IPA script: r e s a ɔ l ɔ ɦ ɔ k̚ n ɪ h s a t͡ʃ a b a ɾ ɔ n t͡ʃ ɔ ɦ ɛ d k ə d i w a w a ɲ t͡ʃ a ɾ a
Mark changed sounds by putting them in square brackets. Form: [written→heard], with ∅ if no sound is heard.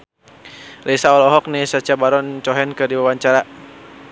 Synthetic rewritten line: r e s a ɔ l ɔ ɦ ɔ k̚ n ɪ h s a t͡ʃ a b a ɾ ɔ n t͡ʃ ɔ ɦ ɛ [d→n] k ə d i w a w a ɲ t͡ʃ a ɾ a